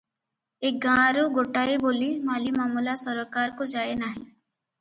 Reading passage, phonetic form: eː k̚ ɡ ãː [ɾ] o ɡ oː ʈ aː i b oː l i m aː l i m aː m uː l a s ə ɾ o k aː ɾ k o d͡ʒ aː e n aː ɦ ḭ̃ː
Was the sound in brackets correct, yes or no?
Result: yes